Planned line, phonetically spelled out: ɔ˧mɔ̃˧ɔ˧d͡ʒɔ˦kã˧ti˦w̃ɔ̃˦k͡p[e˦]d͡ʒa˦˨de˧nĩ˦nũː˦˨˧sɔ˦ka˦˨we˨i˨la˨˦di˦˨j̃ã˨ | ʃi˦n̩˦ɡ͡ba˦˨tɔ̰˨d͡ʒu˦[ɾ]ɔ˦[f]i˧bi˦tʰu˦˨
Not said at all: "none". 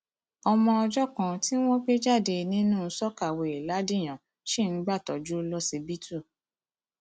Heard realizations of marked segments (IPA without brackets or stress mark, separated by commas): e˦, l, s